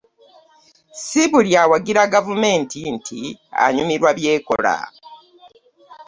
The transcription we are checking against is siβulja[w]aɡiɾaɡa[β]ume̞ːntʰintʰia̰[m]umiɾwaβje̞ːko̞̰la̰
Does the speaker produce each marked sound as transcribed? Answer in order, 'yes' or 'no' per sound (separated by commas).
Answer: yes, no, no